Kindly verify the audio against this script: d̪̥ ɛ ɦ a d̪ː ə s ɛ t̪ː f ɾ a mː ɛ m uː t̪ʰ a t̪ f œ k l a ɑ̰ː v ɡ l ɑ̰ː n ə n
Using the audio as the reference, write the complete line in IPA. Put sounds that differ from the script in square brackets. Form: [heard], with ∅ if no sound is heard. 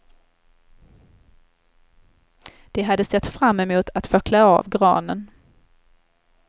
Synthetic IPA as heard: d̪̥ ɛ ɦ a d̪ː ə s ɛ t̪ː f ɾ a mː ɛ m uː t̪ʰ a t̪ f œ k l a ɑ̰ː v ɡ [ɾ] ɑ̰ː n ə n